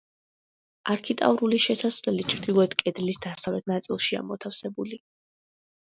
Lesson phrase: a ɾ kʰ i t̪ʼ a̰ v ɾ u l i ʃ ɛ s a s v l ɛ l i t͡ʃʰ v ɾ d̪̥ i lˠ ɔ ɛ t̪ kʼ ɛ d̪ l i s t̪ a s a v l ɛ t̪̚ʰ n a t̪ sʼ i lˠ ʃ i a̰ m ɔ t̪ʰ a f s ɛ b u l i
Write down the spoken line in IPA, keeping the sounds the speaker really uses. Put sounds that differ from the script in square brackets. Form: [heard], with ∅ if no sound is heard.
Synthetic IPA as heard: a ɾ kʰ i t̪ʼ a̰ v ɾ u l i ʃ ɛ s a s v l ɛ l i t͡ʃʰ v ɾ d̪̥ i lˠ ɔ ɛ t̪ kʼ ɛ d̪ l i s [d̪] a s a v l ɛ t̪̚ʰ n a t̪ sʼ i lˠ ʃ i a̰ m ɔ t̪ʰ a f s ɛ b u l i

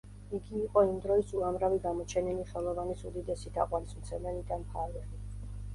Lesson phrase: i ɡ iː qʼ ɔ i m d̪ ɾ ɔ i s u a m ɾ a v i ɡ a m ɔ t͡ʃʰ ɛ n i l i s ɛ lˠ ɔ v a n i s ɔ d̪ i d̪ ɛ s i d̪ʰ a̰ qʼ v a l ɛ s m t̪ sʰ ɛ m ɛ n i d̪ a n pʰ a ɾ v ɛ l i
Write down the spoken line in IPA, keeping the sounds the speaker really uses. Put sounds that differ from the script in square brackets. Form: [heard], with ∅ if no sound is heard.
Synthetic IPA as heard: i ɡ iː qʼ ɔ i m d̪ ɾ ɔ i s u a m ɾ a v i ɡ a m ɔ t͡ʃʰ ɛ n i l i [χ] ɛ lˠ ɔ v a n i s [u] d̪ i d̪ ɛ s i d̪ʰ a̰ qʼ [w] a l [i] s m t̪ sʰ ɛ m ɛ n i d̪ a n pʰ a ɾ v ɛ l i

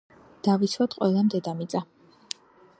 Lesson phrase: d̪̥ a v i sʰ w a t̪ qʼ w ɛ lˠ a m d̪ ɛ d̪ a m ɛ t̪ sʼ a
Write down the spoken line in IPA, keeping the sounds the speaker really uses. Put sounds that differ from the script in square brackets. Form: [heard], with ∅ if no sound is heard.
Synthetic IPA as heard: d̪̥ a v i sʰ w a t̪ qʼ w ɛ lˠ a m d̪ ɛ d̪ a m [i] t̪ sʼ a

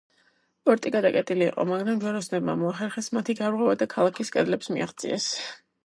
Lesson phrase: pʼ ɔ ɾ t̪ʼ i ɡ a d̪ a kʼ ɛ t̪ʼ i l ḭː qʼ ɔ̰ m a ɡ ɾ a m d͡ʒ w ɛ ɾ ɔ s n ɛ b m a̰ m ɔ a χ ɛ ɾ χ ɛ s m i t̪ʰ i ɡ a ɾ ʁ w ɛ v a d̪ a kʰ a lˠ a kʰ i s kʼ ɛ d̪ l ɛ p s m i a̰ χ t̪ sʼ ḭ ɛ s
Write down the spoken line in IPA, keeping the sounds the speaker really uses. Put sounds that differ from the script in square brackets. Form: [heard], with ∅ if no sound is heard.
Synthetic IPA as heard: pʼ ɔ ɾ t̪ʼ i ɡ a d̪ a kʼ ɛ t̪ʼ i l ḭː qʼ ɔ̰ m a ɡ ɾ a m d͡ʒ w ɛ ɾ ɔ s n ɛ b m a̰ m ɔ a χ ɛ ɾ χ ɛ s m [a] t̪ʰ i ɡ a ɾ ʁ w ɛ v a d̪ a kʰ a lˠ a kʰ i s kʼ ɛ d̪ l ɛ p s m i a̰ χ t̪ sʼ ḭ ɛ s

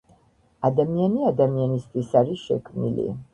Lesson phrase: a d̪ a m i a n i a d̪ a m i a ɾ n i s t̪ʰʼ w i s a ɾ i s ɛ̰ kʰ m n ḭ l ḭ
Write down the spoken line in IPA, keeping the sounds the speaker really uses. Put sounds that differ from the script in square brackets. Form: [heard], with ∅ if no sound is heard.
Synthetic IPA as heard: a d̪ a m i a n i a d̪ a m i a [∅] n i s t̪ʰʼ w i s a ɾ i [ʃ] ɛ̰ kʰ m n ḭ l ḭ

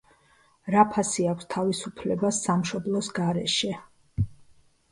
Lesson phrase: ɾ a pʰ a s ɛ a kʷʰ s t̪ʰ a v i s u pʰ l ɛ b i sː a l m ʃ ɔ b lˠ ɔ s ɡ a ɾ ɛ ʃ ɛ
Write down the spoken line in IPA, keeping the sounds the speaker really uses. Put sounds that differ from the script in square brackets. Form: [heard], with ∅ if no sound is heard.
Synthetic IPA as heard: ɾ a pʰ a s [i] a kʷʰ s t̪ʰ a v i s u pʰ l ɛ b [a] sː a [∅] m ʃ ɔ b lˠ ɔ s ɡ a ɾ ɛ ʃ ɛ

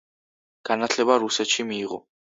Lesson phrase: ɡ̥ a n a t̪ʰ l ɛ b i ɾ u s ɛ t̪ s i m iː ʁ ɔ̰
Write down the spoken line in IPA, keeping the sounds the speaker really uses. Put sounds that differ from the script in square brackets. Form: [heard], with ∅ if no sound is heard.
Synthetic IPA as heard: ɡ̥ a n a t̪ʰ l ɛ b [a] ɾ u s ɛ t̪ [ʃ] i m iː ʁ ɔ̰

